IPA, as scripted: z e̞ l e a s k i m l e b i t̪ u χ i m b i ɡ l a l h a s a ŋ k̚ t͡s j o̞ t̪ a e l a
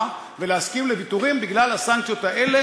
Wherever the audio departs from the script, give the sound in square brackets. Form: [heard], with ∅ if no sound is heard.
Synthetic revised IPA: [v] e̞ l e a s k i m l e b i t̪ u [ʁ] i m b i ɡ l a l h a s a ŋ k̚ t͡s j o̞ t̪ a e l [e]